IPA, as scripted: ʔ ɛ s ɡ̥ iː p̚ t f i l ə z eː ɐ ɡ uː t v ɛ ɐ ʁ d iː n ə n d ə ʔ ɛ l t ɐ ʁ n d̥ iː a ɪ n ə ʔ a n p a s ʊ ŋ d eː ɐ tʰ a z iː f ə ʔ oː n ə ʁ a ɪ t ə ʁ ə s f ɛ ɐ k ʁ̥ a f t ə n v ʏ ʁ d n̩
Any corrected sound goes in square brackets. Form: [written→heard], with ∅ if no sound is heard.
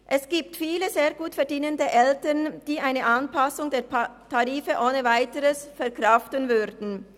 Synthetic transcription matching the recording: ʔ ɛ s ɡ̥ iː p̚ t f [i→iː] l ə z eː ɐ ɡ uː t [v→f] ɛ ɐ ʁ d iː n ə n d ə ʔ ɛ l t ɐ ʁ n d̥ iː a ɪ n ə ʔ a n p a s ʊ ŋ d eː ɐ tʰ a [z→ʁ] iː f ə ʔ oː n ə [ʁ→v] a ɪ t ə ʁ ə s f ɛ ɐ k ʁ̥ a f t ə n v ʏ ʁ d n̩